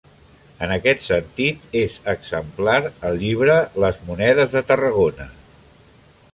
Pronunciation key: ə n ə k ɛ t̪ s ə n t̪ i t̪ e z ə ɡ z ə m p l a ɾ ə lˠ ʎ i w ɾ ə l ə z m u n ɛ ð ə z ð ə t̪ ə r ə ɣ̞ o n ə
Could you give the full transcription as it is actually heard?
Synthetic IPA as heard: ə n ə k ɛ t̪ s ə n t̪ i t̪ e z ə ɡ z ə m p l a ɾ ə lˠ ʎ i β ɾ ə l ə z m u n ɛ ð ə z ð ə t̪ ə r ə ɣ̞ o n ə